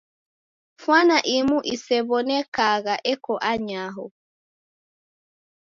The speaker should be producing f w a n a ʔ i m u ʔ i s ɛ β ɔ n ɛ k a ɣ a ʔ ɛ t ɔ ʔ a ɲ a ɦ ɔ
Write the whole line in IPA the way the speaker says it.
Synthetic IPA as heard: f w a n a ʔ i m u ʔ i s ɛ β ɔ n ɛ k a ɣ a ʔ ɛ k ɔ ʔ a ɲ a ɦ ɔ